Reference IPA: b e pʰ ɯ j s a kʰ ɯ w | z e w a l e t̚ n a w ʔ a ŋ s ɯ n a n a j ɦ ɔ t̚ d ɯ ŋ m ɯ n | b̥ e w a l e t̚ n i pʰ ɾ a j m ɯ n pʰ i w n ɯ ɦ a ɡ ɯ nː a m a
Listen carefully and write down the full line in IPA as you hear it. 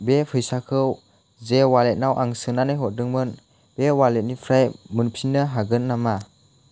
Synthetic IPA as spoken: b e pʰ ɯ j s a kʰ ɯ w | z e w a l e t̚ n a w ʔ a ŋ s ɯ n a n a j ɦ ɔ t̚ d ɯ ŋ m ɯ n | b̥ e w a l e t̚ n i pʰ ɾ a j m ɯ n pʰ i n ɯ ɦ a ɡ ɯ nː a m a